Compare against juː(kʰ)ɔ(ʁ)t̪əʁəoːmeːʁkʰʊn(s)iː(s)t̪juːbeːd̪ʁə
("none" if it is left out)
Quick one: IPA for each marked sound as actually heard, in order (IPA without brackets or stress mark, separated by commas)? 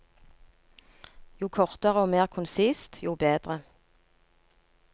kʰ, ʁ, s, s